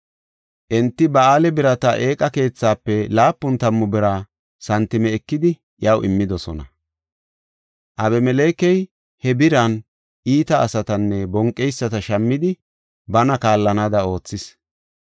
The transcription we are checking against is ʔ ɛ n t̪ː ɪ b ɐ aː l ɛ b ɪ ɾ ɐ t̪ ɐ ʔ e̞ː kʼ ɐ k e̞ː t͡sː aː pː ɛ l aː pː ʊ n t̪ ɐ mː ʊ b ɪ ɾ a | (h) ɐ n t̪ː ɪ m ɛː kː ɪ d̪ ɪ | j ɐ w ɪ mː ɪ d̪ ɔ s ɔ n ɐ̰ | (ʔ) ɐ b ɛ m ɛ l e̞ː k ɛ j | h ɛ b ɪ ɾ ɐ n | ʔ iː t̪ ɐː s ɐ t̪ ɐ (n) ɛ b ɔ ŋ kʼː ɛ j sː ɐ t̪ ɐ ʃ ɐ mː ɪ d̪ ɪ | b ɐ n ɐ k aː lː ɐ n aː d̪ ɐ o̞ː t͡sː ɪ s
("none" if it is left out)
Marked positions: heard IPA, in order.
s, ʔ, nː

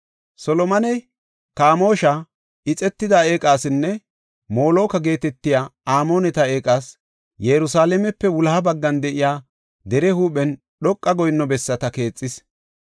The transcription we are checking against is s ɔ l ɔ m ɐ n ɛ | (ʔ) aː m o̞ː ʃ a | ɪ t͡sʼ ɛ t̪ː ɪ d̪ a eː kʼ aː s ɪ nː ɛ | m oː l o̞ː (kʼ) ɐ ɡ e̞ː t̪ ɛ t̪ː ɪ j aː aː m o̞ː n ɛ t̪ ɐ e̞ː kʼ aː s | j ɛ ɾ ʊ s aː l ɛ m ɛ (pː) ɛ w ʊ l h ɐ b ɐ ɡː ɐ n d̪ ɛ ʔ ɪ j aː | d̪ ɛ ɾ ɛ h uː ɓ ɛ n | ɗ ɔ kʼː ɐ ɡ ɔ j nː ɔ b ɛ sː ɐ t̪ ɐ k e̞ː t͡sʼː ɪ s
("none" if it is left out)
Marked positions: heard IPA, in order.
k, k, pː

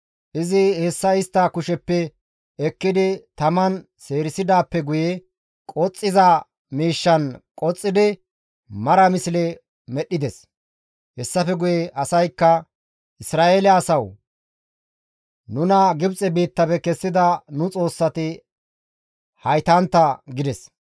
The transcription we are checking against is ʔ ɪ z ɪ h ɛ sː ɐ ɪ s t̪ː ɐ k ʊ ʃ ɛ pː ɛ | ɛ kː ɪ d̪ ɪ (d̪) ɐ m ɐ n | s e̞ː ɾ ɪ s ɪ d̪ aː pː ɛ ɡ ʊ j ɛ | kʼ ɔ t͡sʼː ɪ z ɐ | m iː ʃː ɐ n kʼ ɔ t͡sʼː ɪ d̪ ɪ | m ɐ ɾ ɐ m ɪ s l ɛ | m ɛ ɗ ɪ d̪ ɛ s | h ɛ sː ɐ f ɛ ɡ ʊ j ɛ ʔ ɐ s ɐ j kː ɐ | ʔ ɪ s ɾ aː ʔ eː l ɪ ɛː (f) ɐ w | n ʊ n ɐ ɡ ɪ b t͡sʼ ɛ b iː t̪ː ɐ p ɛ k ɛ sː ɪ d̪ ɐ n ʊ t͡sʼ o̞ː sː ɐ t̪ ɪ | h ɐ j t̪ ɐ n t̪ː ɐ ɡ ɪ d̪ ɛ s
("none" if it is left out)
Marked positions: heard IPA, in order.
t̪, s

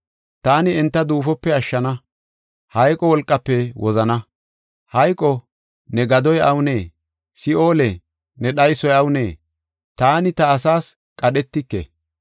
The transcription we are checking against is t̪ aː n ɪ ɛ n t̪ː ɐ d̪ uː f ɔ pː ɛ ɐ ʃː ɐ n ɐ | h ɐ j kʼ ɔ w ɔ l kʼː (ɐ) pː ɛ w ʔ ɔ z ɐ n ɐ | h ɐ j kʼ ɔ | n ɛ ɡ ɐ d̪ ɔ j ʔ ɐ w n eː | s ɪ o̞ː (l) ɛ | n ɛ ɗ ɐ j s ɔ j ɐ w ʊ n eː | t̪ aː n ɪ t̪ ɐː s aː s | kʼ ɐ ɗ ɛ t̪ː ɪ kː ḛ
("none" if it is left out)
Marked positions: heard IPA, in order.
ɐ, l

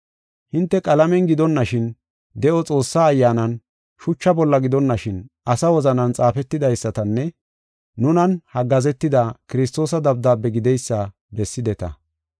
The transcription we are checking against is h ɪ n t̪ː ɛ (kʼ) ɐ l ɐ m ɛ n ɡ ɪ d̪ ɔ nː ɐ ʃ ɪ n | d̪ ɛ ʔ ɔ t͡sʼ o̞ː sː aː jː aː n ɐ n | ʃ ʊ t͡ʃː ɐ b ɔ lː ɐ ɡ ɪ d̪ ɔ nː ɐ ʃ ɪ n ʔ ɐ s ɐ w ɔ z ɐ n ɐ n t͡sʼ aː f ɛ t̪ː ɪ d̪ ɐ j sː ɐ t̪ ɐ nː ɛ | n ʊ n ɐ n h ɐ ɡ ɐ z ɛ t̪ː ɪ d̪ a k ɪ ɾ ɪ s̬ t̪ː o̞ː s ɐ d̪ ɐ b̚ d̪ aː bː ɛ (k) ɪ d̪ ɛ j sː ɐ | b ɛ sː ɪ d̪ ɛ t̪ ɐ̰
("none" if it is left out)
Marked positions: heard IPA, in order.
kʼ, ɡ

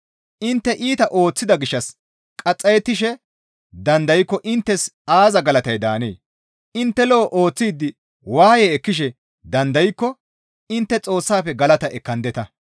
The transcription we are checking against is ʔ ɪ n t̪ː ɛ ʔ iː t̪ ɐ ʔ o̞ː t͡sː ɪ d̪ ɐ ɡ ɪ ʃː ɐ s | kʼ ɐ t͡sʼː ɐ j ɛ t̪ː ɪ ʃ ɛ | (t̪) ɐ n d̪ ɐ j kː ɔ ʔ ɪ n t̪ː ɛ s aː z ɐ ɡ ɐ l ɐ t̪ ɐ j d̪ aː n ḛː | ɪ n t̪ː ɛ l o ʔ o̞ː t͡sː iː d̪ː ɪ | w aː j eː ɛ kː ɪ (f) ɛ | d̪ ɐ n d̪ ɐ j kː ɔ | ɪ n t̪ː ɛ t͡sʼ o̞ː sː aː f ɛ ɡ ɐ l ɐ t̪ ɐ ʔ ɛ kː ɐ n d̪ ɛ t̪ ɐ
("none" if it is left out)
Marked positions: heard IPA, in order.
d̪, ʃ

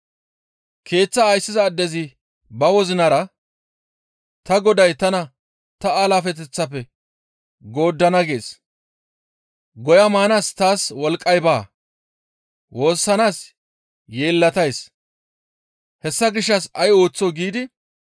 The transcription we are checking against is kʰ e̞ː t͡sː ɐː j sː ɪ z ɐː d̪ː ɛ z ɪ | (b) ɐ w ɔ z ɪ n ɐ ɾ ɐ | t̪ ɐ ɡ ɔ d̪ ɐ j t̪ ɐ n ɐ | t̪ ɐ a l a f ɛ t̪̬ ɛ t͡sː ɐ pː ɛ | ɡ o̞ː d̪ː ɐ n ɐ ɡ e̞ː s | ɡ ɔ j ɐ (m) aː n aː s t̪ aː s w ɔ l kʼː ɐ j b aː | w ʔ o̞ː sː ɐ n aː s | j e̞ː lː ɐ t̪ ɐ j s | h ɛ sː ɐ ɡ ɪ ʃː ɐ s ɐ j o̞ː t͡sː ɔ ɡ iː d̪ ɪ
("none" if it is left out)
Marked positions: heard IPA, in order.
b, m

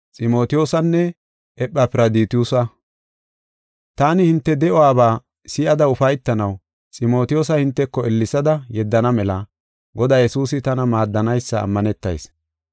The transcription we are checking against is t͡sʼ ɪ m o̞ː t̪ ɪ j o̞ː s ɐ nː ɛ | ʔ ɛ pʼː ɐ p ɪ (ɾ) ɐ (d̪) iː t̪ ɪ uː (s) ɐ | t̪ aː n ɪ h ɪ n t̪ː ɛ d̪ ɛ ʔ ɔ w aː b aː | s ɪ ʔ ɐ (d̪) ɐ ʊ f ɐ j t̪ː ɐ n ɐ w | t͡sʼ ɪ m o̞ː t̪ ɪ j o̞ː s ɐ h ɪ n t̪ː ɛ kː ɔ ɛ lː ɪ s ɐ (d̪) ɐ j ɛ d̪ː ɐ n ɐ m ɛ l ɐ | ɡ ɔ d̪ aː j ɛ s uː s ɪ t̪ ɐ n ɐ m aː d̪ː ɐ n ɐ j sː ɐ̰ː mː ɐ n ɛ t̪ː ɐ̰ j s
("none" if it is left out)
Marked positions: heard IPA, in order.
ɾ, d̪, s, d̪, d̪

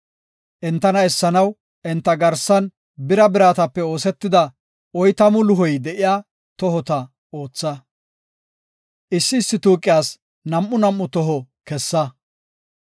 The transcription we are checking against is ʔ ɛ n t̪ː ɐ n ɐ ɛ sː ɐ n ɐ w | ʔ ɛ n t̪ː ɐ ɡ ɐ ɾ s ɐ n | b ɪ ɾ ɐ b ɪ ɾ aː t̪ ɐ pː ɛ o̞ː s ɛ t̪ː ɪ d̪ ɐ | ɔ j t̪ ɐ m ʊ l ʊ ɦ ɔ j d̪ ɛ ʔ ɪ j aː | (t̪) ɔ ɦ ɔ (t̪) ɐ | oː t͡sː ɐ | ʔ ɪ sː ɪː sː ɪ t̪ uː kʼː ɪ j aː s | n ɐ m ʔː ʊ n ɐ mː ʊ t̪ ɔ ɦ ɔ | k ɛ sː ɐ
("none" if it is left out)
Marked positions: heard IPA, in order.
t̪, t̪

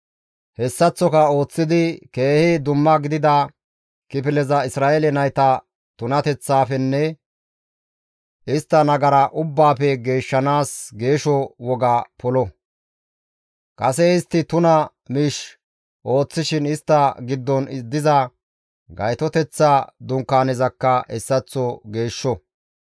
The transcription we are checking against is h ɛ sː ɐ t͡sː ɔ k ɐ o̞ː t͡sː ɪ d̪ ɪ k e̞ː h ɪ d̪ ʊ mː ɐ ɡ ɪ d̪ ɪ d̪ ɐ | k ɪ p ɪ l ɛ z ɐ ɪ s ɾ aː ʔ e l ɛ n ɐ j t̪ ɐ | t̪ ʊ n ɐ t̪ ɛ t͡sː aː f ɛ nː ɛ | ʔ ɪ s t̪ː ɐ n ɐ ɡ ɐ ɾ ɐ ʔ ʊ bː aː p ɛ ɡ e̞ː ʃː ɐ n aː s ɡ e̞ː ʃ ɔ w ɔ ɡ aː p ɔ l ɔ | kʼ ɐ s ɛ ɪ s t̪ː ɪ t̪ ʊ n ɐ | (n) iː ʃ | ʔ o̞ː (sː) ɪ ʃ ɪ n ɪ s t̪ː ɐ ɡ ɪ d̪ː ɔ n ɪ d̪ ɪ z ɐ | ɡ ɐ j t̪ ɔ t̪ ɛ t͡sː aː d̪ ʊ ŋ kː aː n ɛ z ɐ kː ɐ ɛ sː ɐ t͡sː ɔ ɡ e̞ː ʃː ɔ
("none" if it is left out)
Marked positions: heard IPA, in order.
m, t͡sː

